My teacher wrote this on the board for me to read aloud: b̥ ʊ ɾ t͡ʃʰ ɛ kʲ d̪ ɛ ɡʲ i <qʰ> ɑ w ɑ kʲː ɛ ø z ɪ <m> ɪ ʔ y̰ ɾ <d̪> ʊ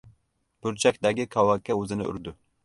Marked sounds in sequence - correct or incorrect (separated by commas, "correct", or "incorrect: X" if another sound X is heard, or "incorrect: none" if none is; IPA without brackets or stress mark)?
incorrect: kʰ, incorrect: n, correct